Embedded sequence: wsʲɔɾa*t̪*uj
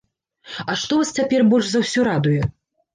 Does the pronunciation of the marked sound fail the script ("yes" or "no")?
yes